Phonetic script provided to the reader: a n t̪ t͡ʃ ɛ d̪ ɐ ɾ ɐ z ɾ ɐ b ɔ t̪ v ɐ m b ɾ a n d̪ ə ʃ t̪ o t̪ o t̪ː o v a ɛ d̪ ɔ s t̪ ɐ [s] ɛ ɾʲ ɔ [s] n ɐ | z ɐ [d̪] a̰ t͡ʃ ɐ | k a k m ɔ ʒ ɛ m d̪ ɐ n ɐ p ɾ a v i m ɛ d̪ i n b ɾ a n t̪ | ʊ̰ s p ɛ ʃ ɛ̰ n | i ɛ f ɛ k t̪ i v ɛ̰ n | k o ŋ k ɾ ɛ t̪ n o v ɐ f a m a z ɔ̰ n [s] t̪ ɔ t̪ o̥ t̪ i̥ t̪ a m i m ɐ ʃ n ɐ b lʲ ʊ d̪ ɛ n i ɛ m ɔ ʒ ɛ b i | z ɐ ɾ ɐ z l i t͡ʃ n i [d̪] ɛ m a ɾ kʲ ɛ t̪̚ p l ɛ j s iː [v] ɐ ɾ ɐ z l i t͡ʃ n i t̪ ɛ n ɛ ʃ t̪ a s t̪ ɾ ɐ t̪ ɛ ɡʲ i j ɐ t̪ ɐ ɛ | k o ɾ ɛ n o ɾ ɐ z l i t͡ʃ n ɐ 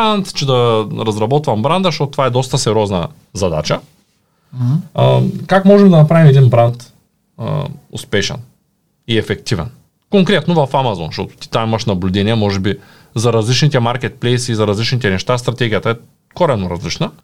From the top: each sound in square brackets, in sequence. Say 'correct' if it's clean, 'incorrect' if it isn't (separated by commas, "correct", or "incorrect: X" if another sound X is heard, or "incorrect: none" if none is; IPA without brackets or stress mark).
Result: correct, incorrect: z, correct, incorrect: ʃ, incorrect: t̪, incorrect: z